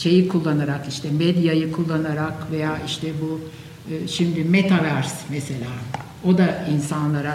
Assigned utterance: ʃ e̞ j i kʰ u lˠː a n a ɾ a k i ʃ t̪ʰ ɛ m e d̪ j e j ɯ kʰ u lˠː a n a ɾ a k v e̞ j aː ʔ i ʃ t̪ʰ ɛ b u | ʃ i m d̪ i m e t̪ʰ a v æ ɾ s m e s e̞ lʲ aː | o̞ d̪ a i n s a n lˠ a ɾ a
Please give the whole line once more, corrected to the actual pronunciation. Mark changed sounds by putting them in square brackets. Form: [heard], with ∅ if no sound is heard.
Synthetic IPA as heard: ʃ e̞ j i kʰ u lˠː a n a ɾ a k i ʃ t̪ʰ ɛ m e d̪ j [a] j ɯ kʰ u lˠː a n a ɾ a k v e̞ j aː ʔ i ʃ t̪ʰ ɛ b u | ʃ i m d̪ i m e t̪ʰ a v æ ɾ s m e s e̞ lʲ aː | o̞ d̪ a i n s a n lˠ a ɾ a